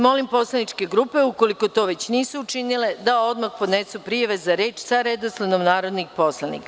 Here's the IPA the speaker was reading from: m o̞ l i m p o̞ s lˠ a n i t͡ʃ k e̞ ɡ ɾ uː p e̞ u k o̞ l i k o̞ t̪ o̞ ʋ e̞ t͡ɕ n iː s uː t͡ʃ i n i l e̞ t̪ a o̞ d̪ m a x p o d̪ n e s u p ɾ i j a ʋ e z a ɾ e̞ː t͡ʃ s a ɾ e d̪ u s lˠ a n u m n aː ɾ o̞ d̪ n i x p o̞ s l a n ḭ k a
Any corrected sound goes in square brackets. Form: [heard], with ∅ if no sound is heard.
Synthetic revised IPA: m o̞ l i m p o̞ s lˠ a n i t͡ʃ k e̞ ɡ ɾ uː p e̞ u k o̞ l i k o̞ t̪ o̞ ʋ e̞ t͡ɕ n iː s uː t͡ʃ i n i l e̞ [d̪] a o̞ d̪ m a x p o d̪ n e s u p ɾ i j a ʋ e z a ɾ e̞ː t͡ʃ s a ɾ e d̪ [o] s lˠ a n [o] m n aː ɾ o̞ d̪ n i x p o̞ s l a n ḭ k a